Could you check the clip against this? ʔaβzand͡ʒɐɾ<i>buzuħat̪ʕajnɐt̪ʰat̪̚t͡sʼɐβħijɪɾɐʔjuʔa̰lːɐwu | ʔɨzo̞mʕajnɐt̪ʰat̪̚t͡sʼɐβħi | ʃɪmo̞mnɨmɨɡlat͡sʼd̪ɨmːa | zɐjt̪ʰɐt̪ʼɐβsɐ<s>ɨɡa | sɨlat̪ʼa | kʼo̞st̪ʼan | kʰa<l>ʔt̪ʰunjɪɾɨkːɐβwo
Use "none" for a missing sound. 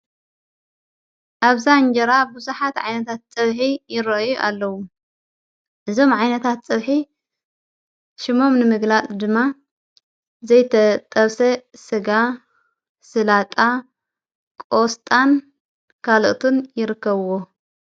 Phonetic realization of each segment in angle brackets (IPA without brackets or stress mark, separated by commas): a, s, l